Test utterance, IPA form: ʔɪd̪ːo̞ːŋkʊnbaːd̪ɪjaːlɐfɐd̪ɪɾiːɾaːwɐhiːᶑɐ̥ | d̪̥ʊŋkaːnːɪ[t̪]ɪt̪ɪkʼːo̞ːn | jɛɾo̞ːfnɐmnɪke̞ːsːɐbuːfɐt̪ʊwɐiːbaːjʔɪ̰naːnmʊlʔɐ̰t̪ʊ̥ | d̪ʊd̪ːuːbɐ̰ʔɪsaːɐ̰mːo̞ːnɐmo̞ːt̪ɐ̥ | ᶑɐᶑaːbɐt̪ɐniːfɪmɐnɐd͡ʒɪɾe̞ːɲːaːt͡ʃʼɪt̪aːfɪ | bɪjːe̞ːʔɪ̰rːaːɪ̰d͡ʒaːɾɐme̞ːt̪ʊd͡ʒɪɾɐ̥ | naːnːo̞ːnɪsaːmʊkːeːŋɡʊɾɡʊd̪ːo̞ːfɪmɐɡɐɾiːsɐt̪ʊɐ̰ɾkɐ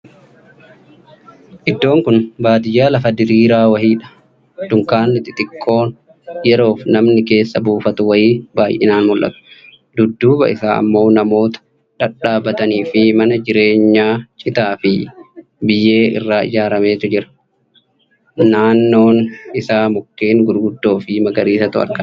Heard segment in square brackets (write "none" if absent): t̪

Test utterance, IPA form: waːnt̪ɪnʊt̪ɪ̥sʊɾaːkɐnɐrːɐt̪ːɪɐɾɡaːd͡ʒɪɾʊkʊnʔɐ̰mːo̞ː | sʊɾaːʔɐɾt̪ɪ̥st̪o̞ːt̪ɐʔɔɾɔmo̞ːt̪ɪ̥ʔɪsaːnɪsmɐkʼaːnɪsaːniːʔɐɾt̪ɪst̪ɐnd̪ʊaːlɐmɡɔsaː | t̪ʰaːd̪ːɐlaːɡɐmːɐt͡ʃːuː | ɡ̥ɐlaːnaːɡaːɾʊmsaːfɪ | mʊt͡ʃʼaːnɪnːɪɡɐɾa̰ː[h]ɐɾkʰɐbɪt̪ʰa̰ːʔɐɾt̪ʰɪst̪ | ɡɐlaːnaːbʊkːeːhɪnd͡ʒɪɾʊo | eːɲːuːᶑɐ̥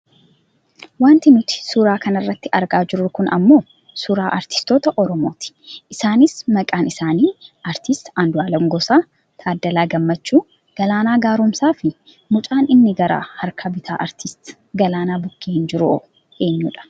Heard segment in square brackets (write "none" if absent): h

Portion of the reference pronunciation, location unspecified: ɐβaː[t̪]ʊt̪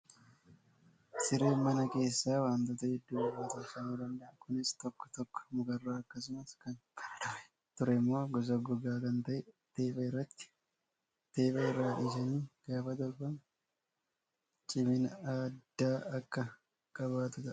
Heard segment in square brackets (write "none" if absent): t̪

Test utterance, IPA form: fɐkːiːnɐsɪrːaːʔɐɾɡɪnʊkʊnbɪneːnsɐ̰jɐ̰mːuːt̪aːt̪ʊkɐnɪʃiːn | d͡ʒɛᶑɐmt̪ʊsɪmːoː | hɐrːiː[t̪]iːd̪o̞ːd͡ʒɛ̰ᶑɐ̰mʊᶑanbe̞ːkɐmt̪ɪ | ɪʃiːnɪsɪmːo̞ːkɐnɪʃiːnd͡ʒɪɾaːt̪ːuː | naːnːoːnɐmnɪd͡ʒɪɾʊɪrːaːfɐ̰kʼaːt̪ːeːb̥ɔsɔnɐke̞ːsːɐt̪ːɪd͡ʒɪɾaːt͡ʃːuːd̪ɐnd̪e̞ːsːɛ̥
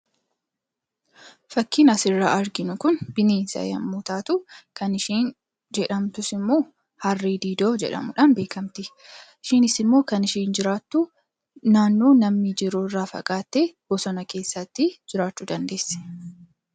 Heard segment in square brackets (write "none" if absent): d̪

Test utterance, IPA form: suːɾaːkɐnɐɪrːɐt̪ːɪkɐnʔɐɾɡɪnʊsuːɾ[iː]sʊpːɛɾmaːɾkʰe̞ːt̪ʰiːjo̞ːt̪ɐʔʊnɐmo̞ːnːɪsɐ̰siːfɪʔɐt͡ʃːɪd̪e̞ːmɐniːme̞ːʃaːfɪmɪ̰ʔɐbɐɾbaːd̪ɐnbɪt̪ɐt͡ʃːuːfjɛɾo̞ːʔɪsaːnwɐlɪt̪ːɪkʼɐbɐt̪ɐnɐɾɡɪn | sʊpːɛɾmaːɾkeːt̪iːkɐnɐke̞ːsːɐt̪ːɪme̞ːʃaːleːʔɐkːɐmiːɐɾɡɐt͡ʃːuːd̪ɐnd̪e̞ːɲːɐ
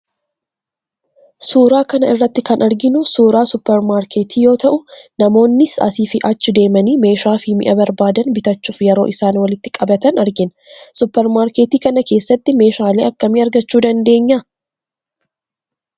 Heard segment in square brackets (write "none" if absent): aː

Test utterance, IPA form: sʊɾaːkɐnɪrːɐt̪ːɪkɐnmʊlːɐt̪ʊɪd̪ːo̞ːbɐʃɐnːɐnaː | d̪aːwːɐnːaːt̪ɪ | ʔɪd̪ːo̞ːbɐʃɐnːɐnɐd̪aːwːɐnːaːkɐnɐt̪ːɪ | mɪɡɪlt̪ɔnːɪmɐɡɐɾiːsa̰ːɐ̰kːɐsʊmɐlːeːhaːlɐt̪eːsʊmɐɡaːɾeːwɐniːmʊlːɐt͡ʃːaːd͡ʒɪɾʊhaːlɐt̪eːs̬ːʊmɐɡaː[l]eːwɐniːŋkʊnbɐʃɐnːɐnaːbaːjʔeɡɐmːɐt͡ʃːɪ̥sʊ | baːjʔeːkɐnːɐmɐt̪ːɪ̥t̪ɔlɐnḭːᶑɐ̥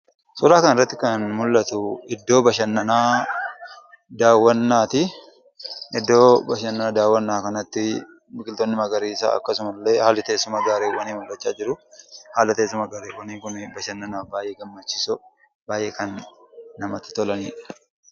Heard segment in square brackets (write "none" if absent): ɾ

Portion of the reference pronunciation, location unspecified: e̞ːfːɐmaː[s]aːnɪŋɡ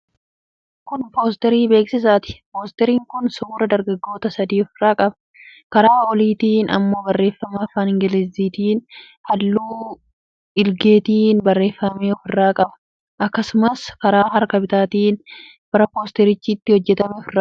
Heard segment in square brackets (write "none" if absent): f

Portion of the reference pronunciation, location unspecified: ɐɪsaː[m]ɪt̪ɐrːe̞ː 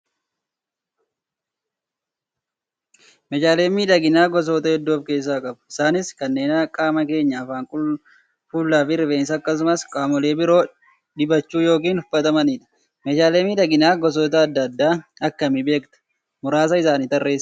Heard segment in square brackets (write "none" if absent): n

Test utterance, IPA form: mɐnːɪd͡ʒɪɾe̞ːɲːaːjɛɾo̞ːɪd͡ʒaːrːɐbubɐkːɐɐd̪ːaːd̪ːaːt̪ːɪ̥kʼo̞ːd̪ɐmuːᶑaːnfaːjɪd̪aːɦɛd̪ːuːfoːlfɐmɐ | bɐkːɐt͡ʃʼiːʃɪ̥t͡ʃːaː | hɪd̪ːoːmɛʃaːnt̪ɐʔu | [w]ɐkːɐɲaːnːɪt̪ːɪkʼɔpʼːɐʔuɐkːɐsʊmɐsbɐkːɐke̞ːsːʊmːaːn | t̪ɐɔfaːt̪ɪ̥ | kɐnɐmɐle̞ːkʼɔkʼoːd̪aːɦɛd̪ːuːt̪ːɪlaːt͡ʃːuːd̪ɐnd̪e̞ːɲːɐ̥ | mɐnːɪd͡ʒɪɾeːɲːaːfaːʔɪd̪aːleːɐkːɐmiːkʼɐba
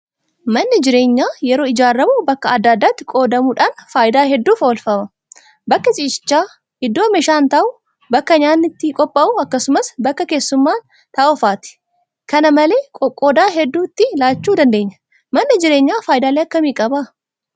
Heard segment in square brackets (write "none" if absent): b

